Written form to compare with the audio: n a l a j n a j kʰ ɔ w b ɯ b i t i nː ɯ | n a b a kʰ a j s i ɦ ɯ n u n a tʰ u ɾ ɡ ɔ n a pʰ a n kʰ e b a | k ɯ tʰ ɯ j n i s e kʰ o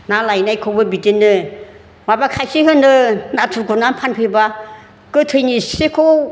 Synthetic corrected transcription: n a l a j n a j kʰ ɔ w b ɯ b i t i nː ɯ | m a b a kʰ a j s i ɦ ɯ n ɯ n a tʰ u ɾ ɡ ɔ n a pʰ a n pʰ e b a | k ɯ tʰ ɯ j n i s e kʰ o